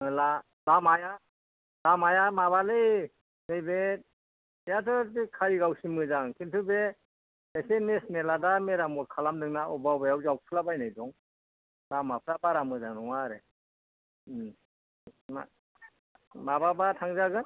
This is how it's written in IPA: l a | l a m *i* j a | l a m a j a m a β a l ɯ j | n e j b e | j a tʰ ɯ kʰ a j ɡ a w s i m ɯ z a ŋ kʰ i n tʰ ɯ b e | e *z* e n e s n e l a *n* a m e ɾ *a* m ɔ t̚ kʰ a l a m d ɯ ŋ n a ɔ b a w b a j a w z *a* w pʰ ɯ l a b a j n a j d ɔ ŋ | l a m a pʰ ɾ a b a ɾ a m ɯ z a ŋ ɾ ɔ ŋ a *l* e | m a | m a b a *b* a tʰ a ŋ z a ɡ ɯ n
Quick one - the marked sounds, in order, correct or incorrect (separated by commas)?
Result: incorrect, incorrect, incorrect, correct, correct, incorrect, correct